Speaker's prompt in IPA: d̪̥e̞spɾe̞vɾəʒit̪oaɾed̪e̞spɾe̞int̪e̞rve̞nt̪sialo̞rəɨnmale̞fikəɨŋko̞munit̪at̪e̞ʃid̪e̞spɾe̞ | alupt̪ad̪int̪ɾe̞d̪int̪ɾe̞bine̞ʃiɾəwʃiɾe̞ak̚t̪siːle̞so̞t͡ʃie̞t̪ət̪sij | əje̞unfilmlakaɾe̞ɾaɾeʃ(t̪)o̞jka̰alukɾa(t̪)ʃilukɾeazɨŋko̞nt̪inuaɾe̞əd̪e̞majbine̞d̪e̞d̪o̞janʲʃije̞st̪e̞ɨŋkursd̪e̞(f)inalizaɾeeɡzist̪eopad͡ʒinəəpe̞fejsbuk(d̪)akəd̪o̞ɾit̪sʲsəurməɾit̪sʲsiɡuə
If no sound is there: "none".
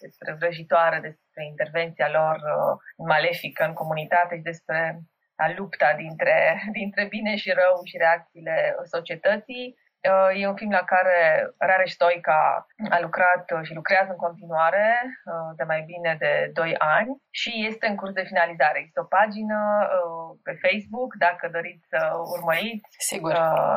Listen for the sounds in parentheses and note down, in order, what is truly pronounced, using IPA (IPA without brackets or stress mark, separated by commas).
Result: t̪, t̪, f, d̪